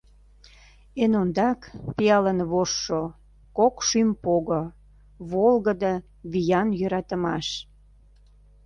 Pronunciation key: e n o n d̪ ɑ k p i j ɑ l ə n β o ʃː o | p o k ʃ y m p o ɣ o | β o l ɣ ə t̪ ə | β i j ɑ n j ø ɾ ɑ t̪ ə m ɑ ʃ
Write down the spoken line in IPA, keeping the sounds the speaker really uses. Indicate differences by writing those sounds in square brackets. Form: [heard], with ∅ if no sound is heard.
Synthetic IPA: e n o n d̪ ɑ k p i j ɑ l ə n β o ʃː o | [k] o k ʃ y m p o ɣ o | β o l ɣ ə [d̪] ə | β i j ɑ n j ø ɾ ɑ t̪ ə m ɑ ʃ